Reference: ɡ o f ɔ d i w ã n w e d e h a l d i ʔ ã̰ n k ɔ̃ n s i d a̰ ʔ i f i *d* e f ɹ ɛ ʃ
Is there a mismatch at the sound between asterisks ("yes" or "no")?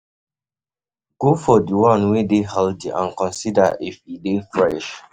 no